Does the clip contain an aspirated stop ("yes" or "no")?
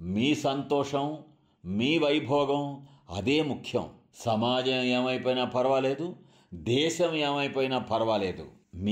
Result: yes